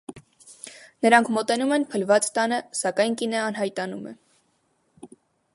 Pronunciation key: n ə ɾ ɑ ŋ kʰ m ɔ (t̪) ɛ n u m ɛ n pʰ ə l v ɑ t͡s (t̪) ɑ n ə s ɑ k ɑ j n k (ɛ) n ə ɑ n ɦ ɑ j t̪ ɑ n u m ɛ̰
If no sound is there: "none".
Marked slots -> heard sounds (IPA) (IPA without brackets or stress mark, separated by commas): t̪, t̪, i